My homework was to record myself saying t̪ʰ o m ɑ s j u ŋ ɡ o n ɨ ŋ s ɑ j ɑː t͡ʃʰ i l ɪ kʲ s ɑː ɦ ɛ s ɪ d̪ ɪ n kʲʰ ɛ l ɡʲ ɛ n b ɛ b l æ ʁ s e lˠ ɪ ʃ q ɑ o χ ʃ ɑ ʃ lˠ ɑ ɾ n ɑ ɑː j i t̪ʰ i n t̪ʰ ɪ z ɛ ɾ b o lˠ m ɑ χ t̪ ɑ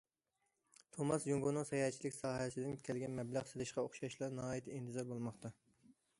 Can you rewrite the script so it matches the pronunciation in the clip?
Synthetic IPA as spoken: t̪ʰ o m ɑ s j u ŋ ɡ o n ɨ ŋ s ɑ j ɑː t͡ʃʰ i l ɪ kʲ s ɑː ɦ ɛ s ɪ d̪ ɪ n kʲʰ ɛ l ɡʲ ɛ n m ɛ b l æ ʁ s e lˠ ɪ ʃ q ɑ o χ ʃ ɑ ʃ lˠ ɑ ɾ n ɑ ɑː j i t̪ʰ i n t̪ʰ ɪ z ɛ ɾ b o lˠ m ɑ χ t̪ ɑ